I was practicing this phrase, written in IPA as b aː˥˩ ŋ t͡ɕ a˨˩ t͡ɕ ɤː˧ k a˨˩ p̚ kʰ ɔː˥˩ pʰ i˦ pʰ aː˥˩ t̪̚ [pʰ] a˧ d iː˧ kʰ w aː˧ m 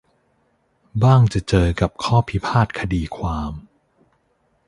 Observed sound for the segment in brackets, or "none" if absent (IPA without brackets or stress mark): kʰ